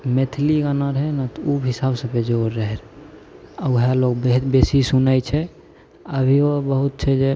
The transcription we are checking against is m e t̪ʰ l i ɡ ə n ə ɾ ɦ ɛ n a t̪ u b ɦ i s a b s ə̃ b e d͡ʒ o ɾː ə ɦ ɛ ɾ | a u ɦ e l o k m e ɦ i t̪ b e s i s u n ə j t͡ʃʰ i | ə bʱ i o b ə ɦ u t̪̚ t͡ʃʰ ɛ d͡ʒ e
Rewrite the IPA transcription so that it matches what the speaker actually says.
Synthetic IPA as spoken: m e t̪ʰ l i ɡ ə n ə ɾ ɦ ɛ n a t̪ u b ɦ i s a b s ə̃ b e d͡ʒ o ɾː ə ɦ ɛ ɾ | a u ɦ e l o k b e ɦ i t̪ b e s i s u n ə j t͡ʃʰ ɛ | ə bʱ i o b ə ɦ u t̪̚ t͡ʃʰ ɛ d͡ʒ e